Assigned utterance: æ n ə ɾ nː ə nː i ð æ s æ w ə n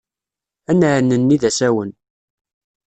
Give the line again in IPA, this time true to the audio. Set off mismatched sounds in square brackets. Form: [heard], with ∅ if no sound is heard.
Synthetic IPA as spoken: æ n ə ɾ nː ə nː i ð æ s æ w ə n

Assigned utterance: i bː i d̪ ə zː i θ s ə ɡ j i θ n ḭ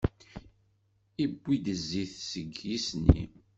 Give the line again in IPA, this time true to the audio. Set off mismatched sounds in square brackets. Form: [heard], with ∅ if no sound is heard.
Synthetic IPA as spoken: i bː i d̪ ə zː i θ s ə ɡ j i [s] n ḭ

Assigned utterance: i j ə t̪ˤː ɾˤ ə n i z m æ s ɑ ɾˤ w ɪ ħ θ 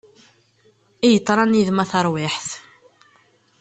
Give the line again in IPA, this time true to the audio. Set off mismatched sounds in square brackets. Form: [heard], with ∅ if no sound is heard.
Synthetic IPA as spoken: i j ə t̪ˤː ɾˤ [ɑ] n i [ð] m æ [θ] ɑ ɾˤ w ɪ ħ θ

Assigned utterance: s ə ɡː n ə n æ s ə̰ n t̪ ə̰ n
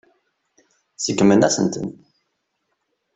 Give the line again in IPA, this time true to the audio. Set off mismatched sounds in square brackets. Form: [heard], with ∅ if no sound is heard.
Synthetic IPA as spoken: s ə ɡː [m] ə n æ s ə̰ n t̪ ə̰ n

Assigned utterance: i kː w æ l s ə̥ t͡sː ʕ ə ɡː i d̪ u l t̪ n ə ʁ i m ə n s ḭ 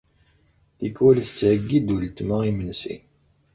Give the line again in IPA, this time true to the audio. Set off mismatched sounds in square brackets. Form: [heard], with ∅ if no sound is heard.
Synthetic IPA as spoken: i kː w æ l [θ] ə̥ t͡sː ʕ ə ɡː i d̪ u l t̪ [m] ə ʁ i m ə n s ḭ

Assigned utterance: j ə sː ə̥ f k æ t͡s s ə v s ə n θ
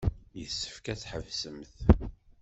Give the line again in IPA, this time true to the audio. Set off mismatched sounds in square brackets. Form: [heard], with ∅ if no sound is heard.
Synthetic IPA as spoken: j ə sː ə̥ f k æ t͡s [ħ] ə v s ə [m] θ

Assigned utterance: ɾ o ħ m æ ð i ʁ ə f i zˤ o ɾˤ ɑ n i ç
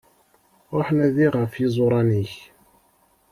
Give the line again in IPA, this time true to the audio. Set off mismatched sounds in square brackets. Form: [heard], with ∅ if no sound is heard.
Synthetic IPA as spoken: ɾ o ħ [n] æ ð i ʁ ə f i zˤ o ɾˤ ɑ n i ç

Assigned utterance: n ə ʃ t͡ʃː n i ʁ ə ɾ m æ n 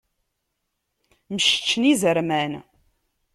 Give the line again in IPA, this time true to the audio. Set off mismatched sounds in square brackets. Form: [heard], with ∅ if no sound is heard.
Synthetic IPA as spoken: [m] ə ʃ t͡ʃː n i [z] ə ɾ m æ n

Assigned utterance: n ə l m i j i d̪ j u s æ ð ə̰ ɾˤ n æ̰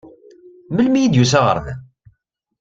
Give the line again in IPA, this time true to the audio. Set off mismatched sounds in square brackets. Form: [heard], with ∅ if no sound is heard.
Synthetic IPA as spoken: [m] ə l m i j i d̪ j u s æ [ʁ] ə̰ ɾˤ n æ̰

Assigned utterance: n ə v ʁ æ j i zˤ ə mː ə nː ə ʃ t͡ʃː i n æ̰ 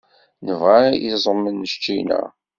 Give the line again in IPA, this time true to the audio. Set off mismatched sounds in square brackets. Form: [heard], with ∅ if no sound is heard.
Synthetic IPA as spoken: n ə v ʁ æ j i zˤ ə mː ə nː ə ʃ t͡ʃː i n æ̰

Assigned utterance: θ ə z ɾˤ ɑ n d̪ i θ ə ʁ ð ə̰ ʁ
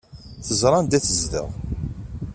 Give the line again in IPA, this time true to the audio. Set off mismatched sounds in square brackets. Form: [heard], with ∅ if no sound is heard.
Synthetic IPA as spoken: θ ə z ɾˤ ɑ n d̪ [æ] θ ə [z] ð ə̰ ʁ

